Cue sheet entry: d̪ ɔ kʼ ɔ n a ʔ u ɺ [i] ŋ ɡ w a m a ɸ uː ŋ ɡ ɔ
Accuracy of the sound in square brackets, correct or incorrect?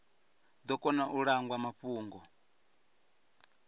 incorrect